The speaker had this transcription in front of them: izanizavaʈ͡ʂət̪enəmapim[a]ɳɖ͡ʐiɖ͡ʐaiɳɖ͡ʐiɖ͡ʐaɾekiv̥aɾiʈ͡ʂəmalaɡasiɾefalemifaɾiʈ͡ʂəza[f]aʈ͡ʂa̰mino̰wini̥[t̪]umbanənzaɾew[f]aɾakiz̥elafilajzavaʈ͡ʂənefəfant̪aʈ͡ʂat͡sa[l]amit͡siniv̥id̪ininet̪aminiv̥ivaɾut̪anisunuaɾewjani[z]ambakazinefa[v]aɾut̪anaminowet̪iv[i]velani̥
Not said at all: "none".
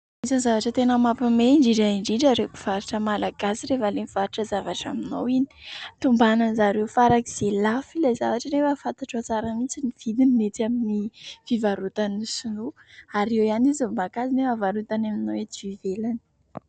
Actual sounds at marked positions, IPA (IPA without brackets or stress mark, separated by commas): e, v, t̪, f, ɾ, z, v, i